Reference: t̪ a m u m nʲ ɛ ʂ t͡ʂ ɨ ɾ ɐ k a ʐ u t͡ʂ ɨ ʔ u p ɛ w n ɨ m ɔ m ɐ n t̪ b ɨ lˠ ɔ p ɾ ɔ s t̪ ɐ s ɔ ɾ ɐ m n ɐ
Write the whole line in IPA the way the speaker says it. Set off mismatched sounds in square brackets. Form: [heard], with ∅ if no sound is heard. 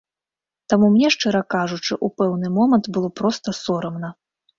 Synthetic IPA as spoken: t̪ a m u m nʲ ɛ ʂ t͡ʂ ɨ ɾ ɐ k a ʐ u t͡ʂ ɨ ʔ u p ɛ w n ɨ m ɔ m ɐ n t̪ b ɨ lˠ ɔ p ɾ ɔ s t̪ ɐ s ɔ ɾ ɐ m n ɐ